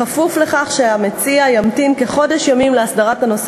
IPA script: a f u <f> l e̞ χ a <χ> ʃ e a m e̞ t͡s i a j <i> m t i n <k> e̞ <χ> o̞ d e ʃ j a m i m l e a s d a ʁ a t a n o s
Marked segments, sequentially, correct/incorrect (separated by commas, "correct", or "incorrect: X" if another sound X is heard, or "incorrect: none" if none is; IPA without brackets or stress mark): correct, correct, incorrect: a, correct, correct